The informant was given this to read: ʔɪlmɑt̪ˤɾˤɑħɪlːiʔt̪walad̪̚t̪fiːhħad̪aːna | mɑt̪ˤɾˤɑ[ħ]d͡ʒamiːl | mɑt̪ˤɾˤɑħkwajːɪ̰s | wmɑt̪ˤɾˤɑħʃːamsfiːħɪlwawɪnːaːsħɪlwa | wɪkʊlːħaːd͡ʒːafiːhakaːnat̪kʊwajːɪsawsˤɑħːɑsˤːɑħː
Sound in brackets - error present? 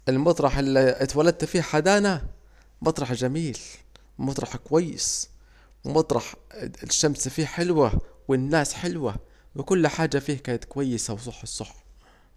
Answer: no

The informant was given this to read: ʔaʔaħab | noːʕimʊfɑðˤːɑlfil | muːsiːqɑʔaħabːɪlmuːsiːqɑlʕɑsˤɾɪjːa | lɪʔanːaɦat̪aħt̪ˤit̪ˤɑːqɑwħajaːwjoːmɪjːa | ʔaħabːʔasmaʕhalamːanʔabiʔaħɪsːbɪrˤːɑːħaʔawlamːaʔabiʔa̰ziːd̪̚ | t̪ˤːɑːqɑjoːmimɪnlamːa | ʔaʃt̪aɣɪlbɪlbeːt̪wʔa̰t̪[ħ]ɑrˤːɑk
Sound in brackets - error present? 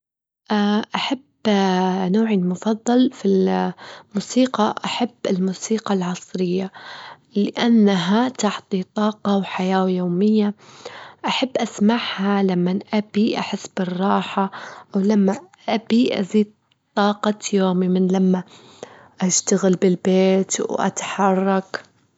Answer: no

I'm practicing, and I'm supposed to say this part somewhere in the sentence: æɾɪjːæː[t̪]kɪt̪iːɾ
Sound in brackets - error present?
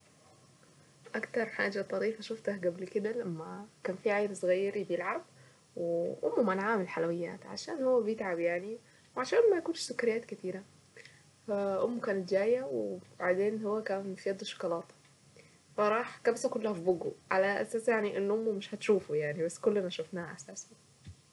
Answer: no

